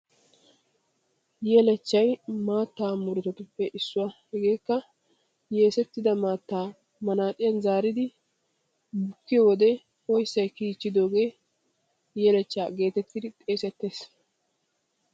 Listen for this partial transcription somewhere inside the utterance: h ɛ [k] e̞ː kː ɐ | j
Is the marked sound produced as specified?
no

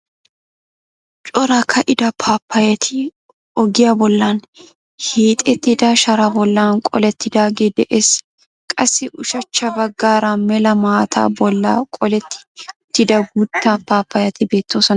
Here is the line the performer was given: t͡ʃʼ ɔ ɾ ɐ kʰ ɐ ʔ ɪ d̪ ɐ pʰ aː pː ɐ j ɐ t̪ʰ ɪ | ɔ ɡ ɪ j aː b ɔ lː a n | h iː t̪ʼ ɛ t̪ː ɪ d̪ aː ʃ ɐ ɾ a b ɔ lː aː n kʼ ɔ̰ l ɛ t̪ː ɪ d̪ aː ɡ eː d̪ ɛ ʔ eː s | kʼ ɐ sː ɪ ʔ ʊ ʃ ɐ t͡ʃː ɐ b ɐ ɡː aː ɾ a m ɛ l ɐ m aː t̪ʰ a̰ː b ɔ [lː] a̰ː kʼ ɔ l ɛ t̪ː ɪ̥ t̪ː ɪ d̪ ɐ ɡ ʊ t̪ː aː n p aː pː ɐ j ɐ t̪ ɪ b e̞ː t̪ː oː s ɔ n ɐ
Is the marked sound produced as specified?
yes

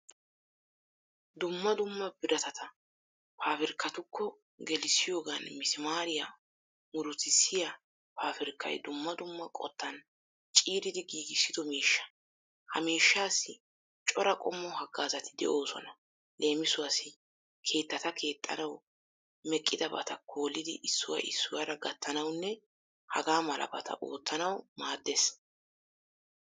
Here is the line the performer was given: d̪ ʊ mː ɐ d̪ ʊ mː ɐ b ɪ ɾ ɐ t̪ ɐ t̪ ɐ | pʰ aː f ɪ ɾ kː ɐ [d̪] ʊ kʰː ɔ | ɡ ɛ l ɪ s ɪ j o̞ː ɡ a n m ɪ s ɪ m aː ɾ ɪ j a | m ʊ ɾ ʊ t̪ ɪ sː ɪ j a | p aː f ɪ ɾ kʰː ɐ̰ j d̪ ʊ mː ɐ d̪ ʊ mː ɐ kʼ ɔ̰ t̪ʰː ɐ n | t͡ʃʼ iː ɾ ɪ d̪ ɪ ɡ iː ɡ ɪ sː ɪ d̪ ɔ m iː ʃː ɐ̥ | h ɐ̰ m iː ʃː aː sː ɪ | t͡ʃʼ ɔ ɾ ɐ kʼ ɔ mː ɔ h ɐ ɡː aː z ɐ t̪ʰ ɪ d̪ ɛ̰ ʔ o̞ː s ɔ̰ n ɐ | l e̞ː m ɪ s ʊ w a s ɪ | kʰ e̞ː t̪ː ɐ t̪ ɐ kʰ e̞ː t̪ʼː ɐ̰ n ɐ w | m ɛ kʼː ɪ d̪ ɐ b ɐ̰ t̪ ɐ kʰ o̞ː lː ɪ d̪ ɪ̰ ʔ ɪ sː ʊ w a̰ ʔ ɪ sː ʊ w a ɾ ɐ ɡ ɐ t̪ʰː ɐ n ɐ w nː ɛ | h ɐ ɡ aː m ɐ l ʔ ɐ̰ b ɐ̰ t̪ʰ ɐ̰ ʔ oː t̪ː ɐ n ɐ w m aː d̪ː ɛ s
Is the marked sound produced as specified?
no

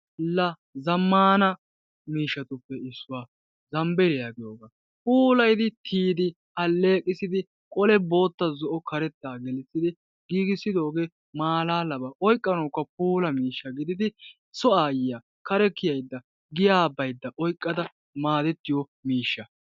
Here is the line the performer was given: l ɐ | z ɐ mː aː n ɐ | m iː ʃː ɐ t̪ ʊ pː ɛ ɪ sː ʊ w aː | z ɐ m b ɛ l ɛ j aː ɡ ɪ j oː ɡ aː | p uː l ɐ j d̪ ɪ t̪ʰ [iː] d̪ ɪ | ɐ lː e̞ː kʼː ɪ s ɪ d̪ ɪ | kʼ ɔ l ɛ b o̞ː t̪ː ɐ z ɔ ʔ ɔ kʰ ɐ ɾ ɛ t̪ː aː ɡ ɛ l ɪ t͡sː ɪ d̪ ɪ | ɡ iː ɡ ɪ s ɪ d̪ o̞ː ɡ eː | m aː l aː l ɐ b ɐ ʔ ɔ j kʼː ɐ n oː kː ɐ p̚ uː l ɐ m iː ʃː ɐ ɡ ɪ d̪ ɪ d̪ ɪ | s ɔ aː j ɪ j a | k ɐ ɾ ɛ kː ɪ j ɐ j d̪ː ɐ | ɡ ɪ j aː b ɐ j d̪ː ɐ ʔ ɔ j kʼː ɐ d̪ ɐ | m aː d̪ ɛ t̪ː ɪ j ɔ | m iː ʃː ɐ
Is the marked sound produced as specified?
yes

